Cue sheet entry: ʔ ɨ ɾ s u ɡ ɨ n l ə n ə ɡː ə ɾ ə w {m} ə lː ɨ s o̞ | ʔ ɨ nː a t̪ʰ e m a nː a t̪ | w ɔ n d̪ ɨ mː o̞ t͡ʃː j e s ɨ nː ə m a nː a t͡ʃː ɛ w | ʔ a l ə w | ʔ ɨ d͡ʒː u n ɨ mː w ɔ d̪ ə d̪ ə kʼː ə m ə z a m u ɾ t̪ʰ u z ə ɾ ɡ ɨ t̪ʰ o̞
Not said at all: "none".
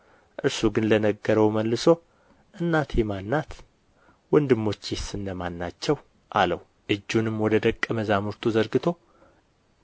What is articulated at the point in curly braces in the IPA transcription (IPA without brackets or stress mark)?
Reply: m